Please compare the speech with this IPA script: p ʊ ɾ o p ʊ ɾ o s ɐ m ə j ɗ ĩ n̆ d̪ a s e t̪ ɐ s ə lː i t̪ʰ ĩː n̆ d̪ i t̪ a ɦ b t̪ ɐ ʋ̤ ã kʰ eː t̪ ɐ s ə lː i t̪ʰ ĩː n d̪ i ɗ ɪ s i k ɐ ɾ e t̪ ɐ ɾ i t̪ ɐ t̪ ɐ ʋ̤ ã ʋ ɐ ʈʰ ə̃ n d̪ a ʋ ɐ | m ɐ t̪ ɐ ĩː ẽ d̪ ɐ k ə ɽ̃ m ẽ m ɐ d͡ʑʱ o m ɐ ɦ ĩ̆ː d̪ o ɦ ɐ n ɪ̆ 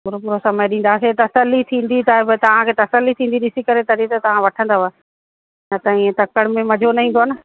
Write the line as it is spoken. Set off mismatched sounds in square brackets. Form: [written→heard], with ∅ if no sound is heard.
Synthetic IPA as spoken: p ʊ ɾ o p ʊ ɾ o s ɐ m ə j ɗ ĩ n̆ d̪ a s e t̪ ɐ s ə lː i t̪ʰ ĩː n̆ d̪ i t̪ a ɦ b t̪ ɐ ʋ̤ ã kʰ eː t̪ ɐ s ə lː i t̪ʰ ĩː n d̪ i ɗ ɪ s i k ɐ ɾ e t̪ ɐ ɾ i t̪ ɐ t̪ ɐ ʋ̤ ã ʋ ɐ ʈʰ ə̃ n d̪ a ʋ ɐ | [m→n] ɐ t̪ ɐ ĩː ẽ [d̪→t̪] ɐ k ə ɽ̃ m ẽ m ɐ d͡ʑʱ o [m→n] ɐ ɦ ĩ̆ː d̪ o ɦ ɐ n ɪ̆